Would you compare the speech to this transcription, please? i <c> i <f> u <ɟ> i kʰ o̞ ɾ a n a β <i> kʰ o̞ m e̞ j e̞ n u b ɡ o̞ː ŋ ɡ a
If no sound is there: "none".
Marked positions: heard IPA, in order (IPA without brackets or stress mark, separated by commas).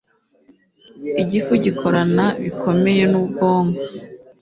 ɟ, f, ɟ, i